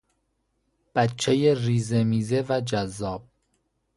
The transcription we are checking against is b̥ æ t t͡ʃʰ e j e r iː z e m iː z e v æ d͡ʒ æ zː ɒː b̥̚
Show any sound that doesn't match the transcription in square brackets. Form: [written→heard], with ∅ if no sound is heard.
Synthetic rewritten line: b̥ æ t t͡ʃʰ e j e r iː z e m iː z e v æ d͡ʒ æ zː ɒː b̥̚